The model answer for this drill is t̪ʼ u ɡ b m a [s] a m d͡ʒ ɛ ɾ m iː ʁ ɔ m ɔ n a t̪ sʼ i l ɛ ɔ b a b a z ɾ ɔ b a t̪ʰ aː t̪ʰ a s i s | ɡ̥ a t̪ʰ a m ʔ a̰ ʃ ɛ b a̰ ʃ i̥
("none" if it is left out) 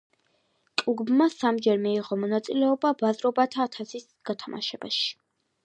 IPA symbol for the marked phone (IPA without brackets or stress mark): s